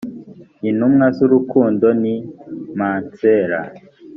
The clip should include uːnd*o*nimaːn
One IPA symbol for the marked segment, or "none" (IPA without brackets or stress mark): o